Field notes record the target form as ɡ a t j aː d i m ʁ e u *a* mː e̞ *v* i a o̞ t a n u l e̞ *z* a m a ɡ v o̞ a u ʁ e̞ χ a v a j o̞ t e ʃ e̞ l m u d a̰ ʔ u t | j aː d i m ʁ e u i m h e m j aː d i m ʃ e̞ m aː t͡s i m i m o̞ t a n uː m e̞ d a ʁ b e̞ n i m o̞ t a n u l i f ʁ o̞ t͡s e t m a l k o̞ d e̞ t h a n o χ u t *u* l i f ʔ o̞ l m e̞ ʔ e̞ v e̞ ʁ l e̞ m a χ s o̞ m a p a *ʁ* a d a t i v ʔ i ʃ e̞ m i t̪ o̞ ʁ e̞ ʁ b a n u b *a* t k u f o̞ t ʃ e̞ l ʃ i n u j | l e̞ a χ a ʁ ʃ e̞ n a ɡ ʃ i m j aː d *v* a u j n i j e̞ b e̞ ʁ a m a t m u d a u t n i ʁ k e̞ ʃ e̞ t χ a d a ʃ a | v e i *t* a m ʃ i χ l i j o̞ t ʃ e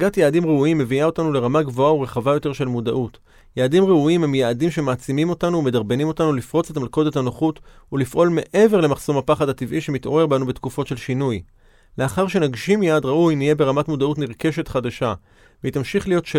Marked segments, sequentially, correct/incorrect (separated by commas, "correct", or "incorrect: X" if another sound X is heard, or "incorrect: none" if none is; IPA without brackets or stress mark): incorrect: i, correct, incorrect: ʁ, correct, incorrect: χ, incorrect: e, incorrect: ʁ, correct